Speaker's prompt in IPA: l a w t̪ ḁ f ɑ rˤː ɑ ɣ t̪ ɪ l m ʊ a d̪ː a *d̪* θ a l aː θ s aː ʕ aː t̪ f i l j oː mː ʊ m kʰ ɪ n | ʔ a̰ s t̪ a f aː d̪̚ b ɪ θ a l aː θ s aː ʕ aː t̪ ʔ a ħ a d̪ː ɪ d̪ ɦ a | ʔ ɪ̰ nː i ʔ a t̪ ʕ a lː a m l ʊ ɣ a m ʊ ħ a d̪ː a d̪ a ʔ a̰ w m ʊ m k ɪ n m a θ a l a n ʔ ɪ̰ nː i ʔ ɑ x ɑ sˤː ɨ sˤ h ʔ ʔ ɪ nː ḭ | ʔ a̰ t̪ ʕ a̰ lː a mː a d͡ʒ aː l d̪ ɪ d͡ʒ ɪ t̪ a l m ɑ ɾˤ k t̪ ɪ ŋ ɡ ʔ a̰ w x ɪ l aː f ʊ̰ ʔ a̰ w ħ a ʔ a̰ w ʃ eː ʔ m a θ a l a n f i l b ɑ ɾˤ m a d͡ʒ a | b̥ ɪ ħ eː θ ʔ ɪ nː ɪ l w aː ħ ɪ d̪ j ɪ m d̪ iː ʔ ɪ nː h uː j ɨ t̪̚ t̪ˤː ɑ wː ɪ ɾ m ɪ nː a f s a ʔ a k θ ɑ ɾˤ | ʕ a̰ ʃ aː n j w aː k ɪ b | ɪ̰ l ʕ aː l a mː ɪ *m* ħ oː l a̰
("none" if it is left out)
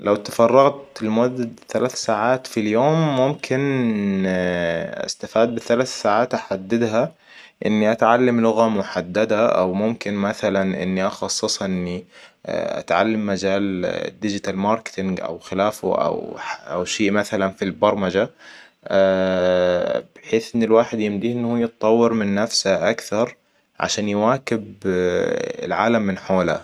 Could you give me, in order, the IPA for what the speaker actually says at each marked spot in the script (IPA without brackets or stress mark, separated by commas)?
d̪, n